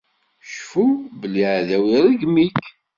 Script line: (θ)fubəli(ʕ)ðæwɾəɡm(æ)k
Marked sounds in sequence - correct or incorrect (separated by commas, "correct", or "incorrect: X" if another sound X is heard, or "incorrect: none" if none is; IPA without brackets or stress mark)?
incorrect: ʃ, correct, incorrect: i